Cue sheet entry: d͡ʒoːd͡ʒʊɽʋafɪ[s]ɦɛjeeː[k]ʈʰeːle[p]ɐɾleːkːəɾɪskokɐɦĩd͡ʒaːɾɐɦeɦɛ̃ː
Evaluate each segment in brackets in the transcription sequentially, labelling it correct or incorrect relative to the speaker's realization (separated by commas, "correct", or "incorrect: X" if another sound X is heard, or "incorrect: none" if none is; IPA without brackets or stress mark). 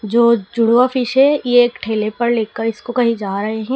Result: incorrect: ʃ, correct, correct